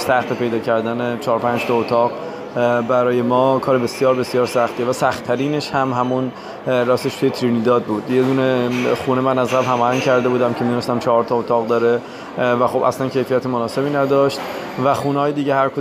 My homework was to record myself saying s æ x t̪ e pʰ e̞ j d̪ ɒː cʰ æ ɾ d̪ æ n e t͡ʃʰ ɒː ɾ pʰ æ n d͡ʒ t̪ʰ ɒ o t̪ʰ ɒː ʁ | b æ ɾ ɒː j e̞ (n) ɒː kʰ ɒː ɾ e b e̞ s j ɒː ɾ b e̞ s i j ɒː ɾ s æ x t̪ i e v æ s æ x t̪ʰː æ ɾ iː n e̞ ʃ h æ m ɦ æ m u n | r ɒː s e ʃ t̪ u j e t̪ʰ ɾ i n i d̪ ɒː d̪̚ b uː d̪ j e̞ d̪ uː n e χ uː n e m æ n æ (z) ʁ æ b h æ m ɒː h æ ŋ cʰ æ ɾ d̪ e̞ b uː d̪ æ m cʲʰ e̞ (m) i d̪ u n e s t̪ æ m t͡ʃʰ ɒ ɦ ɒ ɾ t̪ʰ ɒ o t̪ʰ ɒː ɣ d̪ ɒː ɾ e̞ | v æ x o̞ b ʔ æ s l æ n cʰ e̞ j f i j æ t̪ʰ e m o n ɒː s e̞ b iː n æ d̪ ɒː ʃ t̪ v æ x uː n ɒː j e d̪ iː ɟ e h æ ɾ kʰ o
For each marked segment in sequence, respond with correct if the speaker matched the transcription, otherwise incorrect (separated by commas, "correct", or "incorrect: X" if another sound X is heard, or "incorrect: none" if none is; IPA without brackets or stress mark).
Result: incorrect: m, correct, correct